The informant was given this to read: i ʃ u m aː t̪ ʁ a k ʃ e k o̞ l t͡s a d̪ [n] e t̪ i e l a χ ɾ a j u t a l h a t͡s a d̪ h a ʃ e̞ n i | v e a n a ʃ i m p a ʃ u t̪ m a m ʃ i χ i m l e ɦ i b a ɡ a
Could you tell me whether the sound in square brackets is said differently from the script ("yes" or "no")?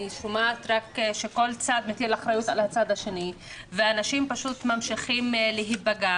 yes